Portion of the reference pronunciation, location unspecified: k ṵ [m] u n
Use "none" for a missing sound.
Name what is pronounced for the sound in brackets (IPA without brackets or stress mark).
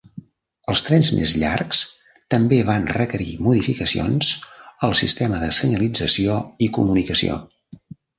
m